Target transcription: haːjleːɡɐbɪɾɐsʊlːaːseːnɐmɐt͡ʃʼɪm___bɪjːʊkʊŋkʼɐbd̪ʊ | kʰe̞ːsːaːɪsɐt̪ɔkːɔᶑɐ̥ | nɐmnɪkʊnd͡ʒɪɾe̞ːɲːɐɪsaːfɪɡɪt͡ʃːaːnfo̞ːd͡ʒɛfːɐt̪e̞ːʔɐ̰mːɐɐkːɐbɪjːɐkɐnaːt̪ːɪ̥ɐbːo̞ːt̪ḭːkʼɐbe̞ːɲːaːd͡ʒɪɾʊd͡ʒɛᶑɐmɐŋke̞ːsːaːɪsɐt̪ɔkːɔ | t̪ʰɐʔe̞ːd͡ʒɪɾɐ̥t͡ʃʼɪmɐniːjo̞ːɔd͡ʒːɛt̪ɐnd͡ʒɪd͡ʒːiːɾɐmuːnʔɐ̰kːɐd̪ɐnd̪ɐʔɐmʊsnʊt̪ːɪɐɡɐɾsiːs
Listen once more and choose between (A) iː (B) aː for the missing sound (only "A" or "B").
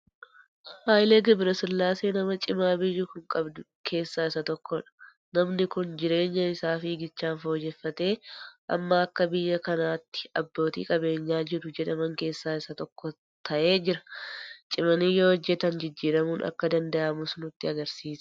B